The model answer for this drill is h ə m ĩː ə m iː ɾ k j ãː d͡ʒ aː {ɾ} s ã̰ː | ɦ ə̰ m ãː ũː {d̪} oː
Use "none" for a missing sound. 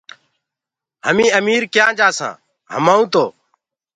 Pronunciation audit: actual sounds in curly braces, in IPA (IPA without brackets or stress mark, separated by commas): none, t̪